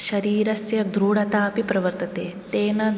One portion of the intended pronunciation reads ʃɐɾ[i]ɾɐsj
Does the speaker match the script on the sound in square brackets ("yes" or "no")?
no